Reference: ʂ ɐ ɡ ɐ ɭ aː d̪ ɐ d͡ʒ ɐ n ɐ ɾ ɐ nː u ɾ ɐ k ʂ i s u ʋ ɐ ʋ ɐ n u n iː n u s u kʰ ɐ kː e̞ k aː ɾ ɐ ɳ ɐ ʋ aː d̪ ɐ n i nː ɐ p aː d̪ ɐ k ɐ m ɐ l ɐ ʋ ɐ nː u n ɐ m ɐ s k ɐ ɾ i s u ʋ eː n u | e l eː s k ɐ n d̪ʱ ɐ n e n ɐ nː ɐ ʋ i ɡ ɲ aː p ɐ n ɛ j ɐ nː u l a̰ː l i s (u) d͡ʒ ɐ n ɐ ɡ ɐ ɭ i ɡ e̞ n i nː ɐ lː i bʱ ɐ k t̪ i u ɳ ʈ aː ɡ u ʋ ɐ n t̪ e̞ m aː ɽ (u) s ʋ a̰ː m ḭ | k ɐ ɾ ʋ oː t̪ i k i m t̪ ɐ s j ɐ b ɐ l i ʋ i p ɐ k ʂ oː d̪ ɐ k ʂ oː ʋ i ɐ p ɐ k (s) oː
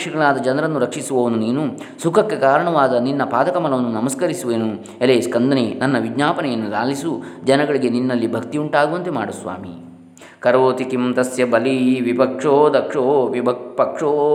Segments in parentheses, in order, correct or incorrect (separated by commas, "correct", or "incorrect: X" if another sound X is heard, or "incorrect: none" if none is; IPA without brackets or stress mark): correct, correct, incorrect: ʂ